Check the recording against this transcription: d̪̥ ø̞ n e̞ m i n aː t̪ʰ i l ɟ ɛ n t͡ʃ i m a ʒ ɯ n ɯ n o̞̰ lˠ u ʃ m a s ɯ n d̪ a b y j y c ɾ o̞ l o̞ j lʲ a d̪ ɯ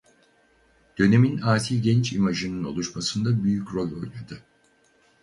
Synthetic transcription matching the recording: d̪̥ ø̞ n e̞ m i n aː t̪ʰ i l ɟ ɛ n t͡ʃ i m a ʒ ɯ n ɯ n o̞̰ lˠ u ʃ m a s ɯ n d̪ a b y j y c ɾ o̞ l o̞ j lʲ a d̪ ɯ

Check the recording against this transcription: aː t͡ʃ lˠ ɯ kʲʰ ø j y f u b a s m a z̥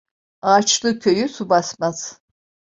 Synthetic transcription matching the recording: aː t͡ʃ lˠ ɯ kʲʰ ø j y s u b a s m a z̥

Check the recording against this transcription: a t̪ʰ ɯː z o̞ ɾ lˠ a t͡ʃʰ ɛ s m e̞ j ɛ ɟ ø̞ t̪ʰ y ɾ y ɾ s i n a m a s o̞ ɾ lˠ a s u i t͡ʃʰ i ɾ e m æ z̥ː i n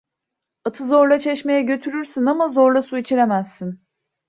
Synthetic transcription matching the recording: a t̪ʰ ɯ z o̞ ɾ lˠ a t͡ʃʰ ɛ ʃ m e̞ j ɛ ɟ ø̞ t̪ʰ y ɾ y ɾ s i n a m a z o̞ ɾ lˠ a s u i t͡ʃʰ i ɾ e m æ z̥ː i n

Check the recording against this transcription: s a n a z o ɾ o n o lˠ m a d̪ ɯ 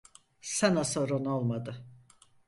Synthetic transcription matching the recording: s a n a s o ɾ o n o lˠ m a d̪ ɯ

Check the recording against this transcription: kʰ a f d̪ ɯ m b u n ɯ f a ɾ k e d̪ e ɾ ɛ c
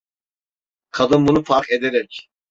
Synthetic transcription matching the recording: kʰ a d̪ ɯ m b u n u f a ɾ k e d̪ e ɾ ɛ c

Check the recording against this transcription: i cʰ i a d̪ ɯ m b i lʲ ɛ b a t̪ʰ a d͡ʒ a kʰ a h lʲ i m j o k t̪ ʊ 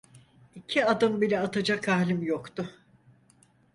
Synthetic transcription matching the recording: i cʰ i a d̪ ɯ m b i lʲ ɛ a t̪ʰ a d͡ʒ a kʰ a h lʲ i m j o k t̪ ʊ

